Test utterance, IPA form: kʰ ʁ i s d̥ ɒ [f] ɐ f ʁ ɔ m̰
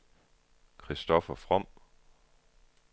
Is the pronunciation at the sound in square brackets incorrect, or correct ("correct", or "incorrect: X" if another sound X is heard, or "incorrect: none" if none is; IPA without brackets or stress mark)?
correct